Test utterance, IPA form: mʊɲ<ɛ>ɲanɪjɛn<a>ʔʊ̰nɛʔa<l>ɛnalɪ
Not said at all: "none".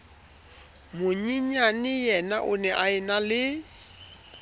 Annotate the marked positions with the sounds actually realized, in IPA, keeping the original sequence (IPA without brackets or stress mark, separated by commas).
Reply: i, a, none